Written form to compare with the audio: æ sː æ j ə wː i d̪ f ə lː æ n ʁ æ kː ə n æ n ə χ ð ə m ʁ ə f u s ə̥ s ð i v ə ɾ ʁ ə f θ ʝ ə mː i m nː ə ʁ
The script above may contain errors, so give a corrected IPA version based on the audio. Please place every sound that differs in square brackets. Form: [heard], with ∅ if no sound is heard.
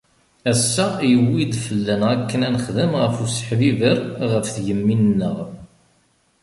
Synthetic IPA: æ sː æ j ə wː i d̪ f ə lː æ n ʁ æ kː ə n æ n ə χ ð ə m ʁ ə f u s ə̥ [ħ] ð i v ə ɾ ʁ ə f θ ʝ ə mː i [n] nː ə ʁ